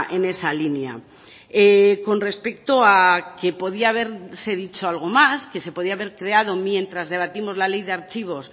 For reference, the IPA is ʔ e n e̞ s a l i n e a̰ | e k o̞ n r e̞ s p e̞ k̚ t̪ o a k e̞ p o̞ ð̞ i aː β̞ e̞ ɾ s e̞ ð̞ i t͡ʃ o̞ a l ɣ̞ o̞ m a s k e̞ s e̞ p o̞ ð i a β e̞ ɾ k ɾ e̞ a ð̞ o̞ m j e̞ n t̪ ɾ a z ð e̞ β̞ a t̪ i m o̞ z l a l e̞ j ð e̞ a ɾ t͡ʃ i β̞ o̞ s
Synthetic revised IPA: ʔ e n e̞ s a l i n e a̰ | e k o̞ n r e̞ s p e̞ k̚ t̪ o a k e̞ p o̞ ð̞ i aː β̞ e̞ ɾ s e̞ ð̞ i t͡ʃ o̞ a l ɣ̞ o̞ m a s k e̞ s e̞ p o̞ ð i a β e̞ ɾ k ɾ e̞ a ð̞ o̞ m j e̞ n t̪ ɾ a z ð e̞ β̞ a t̪ i m o̞ z l a l e̞ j ð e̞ a ɾ t͡ʃ i β̞ o̞ s